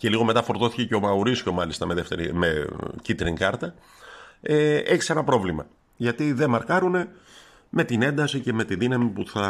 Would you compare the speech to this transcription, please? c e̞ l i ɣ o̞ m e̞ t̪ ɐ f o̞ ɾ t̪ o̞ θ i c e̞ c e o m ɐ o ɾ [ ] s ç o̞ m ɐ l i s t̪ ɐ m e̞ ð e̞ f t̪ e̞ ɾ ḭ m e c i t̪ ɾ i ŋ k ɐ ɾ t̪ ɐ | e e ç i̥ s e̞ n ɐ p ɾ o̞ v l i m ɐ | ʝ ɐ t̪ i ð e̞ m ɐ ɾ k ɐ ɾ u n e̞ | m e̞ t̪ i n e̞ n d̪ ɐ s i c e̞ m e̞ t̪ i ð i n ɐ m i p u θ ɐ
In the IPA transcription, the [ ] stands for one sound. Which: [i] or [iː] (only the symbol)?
i